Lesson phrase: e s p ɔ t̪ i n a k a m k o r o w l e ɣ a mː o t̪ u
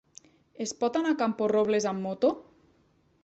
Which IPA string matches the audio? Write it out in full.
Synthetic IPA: e s p ɔ t̪ a n a k a m p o r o β l e z a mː o t̪ o